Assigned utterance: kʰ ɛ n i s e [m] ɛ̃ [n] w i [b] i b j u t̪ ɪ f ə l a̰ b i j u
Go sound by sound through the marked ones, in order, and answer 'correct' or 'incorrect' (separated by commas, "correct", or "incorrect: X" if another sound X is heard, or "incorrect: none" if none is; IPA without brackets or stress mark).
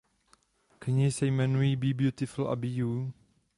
correct, correct, correct